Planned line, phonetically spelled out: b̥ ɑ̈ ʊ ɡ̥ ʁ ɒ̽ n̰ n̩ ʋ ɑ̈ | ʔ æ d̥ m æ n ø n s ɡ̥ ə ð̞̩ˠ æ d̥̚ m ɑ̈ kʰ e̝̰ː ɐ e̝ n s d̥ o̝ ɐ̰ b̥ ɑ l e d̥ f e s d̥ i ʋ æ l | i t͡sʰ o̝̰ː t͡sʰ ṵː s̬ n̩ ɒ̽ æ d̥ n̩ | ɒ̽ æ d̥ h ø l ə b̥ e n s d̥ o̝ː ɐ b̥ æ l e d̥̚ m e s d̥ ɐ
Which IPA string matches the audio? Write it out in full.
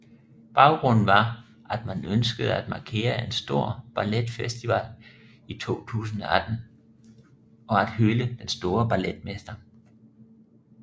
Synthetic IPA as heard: b̥ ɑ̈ ʊ ɡ̥ ʁ ɔ̽ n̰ n̩ ʋ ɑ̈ | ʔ æ d̥ m æ n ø n s ɡ̥ ə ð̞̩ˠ æ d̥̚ m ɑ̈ kʰ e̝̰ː ɐ e̝ n s d̥ o̝ ɐ̰ b̥ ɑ l e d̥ f e s d̥ i ʋ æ l | i t͡sʰ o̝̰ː t͡sʰ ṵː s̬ n̩ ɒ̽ æ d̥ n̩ | ɒ̽ æ d̥ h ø l ə d̥ e n s d̥ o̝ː ɐ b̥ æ l e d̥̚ m e s d̥ ɐ